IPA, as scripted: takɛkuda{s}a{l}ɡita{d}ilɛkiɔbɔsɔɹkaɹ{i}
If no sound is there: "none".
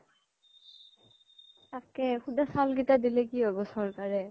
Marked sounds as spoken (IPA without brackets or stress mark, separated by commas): s, l, d, ɛ